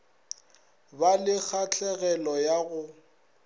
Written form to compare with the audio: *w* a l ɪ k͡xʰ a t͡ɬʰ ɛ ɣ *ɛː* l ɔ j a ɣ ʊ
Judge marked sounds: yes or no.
no, no

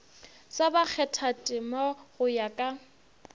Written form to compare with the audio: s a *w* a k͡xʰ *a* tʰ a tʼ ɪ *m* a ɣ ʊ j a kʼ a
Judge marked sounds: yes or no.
no, no, yes

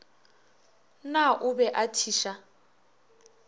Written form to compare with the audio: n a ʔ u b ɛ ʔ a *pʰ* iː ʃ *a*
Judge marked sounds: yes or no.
no, yes

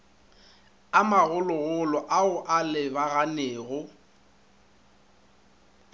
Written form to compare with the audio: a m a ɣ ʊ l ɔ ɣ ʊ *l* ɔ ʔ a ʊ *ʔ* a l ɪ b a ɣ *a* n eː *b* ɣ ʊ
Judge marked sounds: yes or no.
yes, yes, yes, no

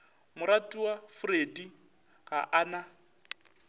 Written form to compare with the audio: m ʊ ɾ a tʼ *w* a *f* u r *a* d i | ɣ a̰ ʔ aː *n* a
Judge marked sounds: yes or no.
no, yes, no, yes

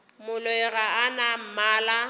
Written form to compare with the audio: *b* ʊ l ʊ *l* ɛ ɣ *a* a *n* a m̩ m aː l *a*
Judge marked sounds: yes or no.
no, no, yes, yes, yes

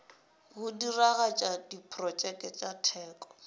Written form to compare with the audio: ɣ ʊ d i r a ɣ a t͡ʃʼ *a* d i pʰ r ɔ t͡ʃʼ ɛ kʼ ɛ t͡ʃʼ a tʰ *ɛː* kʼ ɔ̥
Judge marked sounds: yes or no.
yes, yes

